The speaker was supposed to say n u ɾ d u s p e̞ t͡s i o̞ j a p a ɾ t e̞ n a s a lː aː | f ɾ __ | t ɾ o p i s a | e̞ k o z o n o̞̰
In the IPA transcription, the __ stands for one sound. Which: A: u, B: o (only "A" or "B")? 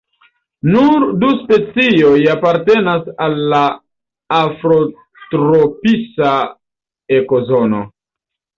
B